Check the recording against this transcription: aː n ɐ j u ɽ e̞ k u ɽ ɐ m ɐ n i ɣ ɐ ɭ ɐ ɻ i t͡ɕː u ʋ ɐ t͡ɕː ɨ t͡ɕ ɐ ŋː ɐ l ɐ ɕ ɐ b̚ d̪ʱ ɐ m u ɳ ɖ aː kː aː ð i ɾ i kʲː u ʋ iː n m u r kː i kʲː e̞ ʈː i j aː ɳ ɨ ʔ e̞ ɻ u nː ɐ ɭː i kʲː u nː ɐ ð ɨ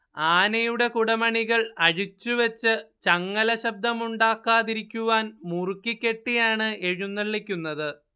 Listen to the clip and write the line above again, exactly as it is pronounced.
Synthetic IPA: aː n ɐ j u ɽ e̞ k u ɽ ɐ m ɐ ɳ i ɣ ɐ ɭ ɐ ɻ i t͡ɕː u ʋ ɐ t͡ɕː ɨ t͡ɕ ɐ ŋː ɐ l ɐ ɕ ɐ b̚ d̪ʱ ɐ m u ɳ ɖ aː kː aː ð i ɾ i kʲː u ʋ aː n m u r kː i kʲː e̞ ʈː i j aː ɳ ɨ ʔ e̞ ɻ u nː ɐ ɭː i kʲː u nː ɐ ð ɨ